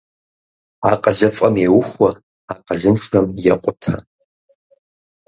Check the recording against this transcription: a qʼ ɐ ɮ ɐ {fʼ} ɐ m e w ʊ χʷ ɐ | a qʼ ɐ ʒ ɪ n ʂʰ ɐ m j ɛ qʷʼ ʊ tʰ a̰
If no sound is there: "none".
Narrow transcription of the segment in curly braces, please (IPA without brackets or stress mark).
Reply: fʼ